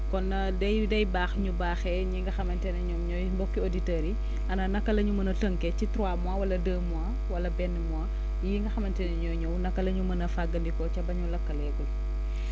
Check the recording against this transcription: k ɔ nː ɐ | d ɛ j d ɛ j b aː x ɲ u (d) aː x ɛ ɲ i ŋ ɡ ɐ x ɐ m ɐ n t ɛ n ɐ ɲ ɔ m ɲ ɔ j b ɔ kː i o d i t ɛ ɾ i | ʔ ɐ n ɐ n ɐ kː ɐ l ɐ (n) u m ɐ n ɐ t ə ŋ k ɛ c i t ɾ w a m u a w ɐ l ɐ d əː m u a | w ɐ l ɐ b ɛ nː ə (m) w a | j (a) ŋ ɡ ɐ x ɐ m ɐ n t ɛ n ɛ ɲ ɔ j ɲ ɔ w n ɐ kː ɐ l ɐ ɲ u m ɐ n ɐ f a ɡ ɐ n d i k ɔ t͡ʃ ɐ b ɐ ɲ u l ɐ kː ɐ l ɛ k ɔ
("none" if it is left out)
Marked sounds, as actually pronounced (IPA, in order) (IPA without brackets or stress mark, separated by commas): b, ɲ, m, i